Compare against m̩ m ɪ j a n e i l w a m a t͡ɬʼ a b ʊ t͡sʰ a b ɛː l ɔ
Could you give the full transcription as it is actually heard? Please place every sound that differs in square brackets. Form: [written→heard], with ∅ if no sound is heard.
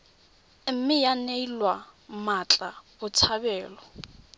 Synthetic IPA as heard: m̩ m ɪ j a n e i l w a m a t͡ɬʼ a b ʊ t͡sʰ a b ɛː l ɔ